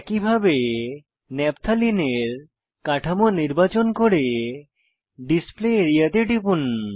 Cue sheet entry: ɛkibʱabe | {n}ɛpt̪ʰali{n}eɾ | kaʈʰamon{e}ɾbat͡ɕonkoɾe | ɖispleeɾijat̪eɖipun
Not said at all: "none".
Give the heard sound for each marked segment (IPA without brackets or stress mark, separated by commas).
n, n, i